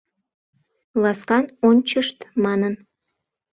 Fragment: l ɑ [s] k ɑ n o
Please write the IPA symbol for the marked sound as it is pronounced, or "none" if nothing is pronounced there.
s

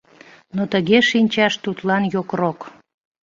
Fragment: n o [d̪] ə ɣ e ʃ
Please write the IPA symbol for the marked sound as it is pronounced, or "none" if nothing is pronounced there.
t̪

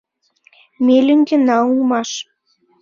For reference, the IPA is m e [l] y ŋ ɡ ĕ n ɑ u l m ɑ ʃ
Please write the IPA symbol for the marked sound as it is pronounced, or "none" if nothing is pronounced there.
l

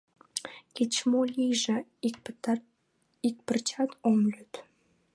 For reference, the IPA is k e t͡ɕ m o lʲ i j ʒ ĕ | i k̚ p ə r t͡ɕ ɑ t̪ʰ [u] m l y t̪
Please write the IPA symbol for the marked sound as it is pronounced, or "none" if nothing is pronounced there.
o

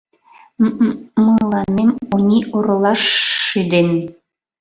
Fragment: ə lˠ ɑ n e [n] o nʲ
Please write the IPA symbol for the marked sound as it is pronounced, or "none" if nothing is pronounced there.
m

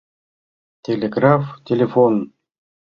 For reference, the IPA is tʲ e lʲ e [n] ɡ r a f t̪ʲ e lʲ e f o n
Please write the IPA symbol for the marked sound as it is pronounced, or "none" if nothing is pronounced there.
none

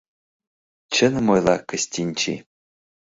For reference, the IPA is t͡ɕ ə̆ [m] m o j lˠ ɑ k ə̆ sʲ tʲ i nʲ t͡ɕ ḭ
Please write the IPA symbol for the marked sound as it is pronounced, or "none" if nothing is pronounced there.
n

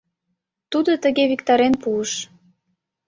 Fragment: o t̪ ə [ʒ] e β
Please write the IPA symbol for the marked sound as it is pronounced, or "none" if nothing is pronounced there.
ɣ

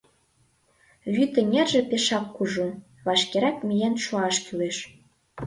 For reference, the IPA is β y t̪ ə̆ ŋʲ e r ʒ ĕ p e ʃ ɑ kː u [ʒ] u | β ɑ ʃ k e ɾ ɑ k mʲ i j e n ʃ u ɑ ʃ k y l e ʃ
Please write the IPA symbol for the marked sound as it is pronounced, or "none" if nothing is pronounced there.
ʒ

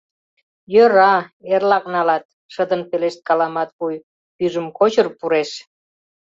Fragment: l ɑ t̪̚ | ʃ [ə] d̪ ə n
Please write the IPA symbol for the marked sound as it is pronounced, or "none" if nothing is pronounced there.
ə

